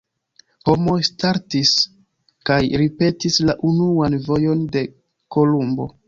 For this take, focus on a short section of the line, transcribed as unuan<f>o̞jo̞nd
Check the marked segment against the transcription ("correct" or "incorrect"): incorrect